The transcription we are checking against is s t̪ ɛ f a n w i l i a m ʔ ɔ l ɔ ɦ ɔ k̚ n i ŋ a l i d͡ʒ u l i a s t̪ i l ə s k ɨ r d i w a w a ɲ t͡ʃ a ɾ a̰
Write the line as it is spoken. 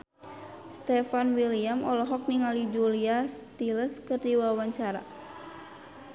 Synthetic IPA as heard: s t̪ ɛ f a n w i l i a m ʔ ɔ l ɔ ɦ ɔ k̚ n i ŋ a l i d͡ʒ u l i a s t̪ i l ə s k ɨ r d i w a w a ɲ t͡ʃ a ɾ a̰